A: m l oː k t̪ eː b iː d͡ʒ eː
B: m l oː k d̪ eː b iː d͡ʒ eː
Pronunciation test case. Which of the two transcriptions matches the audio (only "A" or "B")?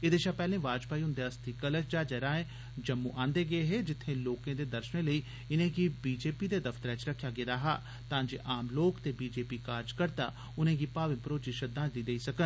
A